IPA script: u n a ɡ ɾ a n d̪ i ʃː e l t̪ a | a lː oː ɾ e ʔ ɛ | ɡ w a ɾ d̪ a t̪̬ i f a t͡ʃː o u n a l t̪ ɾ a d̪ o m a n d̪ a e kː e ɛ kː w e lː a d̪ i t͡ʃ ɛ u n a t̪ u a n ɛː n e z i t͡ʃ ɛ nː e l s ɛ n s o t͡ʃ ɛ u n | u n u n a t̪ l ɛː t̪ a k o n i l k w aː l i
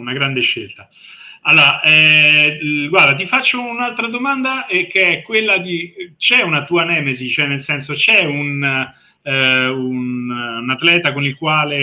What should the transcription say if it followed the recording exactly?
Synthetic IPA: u n a ɡ ɾ a n d̪ e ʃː e l t̪ a | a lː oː ɾ a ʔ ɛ | ɡ w a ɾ d̪ a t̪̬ i f a t͡ʃː o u n a l t̪ ɾ a d̪ o m a n d̪ a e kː e ɛ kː w e lː a d̪ i t͡ʃ ɛ u n a t̪ u a n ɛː m e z i t͡ʃ ɛ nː e l s ɛ n s o t͡ʃ ɛ u n | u n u n a t̪ l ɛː t̪ a k o n i l k w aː l e